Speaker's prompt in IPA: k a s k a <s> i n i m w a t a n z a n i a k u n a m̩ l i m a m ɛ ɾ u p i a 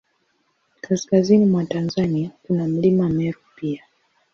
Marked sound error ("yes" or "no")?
yes